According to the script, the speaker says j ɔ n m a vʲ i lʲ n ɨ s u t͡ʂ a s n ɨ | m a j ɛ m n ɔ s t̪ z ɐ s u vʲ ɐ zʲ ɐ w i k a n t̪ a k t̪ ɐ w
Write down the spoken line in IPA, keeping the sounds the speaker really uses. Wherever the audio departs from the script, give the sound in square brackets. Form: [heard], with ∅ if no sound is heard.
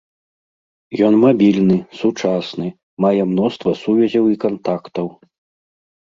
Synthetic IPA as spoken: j ɔ n m a [bʲ] i lʲ n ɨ s u t͡ʂ a s n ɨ | m a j ɛ m n ɔ s t̪ [v] ɐ s u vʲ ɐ zʲ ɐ w i k a n t̪ a k t̪ ɐ w